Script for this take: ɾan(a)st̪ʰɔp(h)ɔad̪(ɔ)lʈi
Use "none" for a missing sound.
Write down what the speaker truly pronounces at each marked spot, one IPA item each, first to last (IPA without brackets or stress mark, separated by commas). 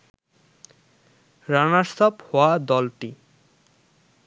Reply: a, h, ɔ